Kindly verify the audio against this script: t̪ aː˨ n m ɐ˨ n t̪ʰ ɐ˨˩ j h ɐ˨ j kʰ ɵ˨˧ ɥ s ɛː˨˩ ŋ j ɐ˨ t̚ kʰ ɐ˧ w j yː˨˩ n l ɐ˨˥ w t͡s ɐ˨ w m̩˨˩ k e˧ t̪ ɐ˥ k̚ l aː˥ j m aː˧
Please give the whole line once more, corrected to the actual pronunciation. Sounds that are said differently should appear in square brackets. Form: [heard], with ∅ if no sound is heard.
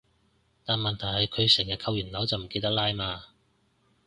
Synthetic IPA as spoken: t̪ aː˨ n m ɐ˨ n t̪ʰ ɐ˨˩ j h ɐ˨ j kʰ ɵ˨˧ ɥ s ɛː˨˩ ŋ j ɐ˨ t̚ kʰ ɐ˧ w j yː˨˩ n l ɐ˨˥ w t͡s ɐ˨ w m̩˨˩ k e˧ t̪ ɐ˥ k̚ l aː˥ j m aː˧